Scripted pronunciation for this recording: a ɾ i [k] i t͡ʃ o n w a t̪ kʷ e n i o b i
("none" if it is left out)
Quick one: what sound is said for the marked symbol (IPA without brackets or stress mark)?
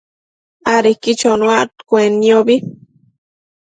k